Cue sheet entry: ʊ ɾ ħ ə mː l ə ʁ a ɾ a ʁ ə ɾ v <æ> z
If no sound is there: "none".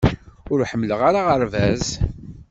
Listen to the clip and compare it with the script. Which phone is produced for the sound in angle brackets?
æ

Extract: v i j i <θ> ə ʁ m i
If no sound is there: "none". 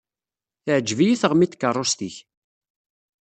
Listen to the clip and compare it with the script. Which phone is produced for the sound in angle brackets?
θ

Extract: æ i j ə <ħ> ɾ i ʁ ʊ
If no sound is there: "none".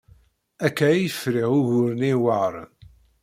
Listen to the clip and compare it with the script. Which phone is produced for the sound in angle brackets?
f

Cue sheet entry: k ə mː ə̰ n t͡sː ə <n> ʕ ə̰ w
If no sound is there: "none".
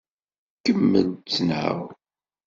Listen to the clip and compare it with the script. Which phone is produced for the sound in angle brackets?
n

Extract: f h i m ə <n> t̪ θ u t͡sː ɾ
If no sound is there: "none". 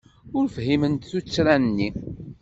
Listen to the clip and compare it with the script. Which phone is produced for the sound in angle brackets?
n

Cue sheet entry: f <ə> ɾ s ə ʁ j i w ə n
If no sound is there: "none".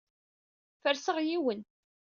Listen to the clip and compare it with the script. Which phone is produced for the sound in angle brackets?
ə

